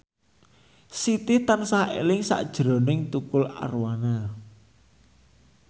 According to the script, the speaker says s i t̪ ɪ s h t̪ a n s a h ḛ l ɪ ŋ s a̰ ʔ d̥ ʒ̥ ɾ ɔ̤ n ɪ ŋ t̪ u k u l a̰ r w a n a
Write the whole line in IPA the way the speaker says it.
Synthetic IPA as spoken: s i t̪ ɪ h t̪ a n s a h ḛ l ɪ ŋ s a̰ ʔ d̥ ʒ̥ ɾ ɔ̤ n ɪ ŋ t̪ u k ʊ l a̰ r w a n a